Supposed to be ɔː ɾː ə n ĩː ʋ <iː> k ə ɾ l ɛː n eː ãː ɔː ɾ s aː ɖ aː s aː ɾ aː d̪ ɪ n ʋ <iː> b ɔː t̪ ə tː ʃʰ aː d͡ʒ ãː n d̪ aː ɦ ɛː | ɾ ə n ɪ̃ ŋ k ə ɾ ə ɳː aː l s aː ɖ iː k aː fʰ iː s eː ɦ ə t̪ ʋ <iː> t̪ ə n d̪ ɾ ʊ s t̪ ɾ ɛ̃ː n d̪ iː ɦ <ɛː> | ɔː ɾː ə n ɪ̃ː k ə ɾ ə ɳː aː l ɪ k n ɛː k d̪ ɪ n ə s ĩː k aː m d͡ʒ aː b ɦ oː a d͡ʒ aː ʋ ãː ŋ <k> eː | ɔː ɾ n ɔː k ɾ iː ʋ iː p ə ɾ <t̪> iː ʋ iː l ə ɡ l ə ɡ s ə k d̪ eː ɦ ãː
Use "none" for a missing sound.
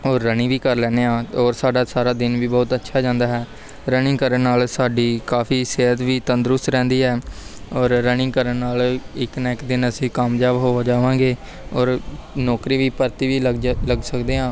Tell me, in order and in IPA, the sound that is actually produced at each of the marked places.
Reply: iː, iː, iː, ɛː, ɡ, t̪

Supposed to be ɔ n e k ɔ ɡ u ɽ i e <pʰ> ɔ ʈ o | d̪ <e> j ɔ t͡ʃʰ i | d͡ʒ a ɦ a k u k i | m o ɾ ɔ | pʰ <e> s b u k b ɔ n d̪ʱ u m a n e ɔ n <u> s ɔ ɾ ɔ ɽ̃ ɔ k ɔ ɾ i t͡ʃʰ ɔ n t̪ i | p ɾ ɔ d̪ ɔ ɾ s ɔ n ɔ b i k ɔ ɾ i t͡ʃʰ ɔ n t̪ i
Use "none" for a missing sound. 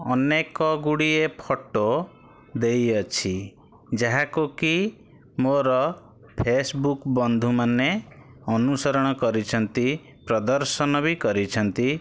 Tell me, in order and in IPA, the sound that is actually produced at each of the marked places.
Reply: pʰ, e, e, u

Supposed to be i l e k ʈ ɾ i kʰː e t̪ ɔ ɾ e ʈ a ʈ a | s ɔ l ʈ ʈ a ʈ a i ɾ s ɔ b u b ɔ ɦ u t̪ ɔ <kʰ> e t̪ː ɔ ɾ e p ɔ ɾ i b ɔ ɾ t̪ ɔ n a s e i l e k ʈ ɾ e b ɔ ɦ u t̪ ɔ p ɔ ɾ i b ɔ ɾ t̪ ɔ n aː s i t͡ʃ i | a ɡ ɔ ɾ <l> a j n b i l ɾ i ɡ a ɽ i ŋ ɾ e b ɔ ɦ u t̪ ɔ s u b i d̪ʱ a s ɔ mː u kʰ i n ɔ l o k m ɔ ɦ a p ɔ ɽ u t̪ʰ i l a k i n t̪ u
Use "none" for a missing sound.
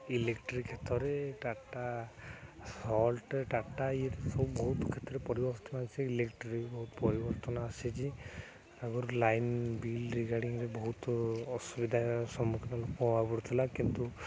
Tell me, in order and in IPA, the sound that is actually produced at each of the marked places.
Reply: kʰ, l

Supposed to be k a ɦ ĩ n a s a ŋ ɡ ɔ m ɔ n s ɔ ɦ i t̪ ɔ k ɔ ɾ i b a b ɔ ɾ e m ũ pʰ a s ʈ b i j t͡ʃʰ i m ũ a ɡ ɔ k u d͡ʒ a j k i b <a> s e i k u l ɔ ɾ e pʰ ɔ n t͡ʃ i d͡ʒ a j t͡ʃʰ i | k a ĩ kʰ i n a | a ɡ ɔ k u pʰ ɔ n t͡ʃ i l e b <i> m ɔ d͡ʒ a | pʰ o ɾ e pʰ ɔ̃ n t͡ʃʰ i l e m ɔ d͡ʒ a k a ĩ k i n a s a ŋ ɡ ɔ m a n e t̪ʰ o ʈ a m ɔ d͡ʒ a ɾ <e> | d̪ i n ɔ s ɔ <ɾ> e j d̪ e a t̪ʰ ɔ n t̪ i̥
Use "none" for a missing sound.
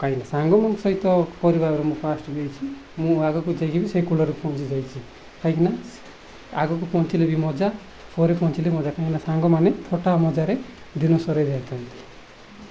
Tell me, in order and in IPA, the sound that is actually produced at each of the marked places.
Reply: i, i, e, ɾ

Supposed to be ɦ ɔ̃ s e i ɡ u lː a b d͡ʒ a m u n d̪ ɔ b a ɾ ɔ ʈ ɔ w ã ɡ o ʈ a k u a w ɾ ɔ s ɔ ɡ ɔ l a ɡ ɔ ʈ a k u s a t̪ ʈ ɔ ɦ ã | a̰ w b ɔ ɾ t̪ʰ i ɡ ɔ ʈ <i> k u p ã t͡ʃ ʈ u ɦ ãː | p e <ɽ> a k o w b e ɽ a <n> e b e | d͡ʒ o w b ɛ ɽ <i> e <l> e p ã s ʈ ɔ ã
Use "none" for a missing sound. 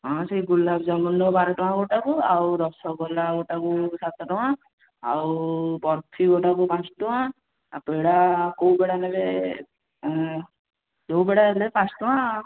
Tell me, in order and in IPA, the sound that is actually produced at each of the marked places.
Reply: a, ɽ, n, a, l

